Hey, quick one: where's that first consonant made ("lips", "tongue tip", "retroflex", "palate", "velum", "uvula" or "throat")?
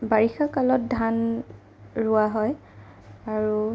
lips